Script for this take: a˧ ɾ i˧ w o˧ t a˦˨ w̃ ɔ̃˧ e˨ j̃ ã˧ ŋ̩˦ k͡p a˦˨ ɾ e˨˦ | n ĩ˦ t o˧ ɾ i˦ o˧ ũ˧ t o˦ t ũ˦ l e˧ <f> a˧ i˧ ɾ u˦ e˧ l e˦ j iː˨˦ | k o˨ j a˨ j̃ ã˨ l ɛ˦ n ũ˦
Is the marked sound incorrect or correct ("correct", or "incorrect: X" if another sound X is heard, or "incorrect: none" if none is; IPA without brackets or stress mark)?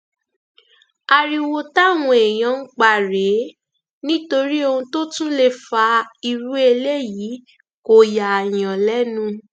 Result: correct